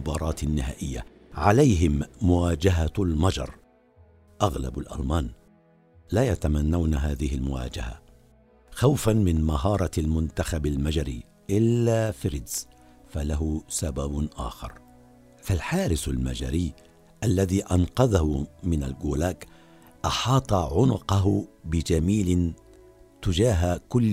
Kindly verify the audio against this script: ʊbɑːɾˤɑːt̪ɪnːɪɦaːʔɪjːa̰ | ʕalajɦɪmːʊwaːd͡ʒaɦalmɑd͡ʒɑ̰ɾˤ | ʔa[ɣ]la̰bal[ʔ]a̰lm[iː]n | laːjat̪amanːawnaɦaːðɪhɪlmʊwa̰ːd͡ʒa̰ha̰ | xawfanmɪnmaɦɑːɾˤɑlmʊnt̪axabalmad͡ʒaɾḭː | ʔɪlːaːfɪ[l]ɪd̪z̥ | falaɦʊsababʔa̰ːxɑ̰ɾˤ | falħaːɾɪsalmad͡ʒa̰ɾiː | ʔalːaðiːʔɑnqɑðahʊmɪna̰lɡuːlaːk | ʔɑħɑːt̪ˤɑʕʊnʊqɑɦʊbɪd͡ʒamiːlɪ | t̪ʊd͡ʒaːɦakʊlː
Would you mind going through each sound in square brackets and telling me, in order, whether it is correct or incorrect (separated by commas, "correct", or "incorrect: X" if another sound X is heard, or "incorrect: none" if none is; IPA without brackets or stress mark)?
correct, correct, incorrect: aː, incorrect: ɾ